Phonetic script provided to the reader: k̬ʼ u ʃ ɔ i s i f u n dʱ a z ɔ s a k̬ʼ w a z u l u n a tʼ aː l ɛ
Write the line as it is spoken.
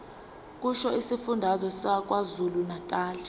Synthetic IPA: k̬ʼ u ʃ ɔ i s i f u n dʱ a z ɔ s a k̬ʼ w a z u l u n a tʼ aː l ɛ